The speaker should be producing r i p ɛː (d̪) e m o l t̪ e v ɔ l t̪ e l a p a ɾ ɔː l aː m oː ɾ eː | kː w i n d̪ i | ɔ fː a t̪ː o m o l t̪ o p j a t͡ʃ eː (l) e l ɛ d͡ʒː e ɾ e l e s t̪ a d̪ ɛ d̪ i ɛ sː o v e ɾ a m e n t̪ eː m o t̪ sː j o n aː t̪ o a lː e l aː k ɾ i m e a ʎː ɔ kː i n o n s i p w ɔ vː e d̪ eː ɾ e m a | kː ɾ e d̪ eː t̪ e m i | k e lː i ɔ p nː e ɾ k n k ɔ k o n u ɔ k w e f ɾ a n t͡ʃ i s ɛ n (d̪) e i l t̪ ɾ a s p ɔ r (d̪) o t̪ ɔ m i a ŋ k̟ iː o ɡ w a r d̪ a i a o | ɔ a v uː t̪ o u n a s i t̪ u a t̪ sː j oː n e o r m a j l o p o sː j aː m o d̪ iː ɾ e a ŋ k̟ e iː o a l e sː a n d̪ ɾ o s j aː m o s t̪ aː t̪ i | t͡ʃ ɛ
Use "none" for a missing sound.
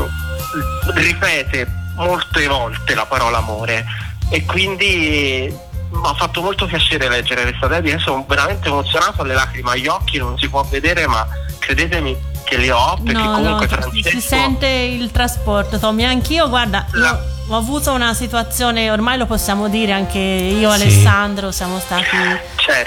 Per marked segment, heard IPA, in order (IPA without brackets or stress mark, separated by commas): t̪, ɾ, t̪, t̪